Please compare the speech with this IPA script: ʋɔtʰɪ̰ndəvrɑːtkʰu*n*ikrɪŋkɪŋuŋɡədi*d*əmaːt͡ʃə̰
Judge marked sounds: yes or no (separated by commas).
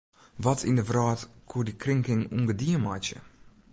no, no